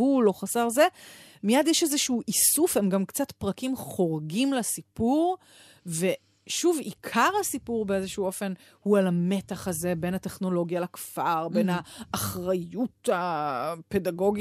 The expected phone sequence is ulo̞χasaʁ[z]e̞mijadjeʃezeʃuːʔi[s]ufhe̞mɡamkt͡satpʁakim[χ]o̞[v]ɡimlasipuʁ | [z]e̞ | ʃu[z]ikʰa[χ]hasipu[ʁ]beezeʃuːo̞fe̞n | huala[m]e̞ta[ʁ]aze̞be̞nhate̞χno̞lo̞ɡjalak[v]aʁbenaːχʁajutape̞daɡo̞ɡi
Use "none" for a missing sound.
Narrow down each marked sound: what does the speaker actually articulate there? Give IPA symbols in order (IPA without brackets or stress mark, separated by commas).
z, s, χ, ʁ, v, v, ʁ, ʁ, m, χ, f